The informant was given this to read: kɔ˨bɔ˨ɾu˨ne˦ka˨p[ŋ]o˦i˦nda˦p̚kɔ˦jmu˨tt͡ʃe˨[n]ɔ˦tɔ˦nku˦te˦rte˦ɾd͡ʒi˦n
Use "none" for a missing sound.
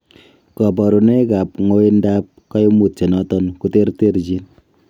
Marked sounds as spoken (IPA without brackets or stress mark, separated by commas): ŋ, n